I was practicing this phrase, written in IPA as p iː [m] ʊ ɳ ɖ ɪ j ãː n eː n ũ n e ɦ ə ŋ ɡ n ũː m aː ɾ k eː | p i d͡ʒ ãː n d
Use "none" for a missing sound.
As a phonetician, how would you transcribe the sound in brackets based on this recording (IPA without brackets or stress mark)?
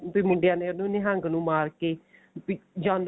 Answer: m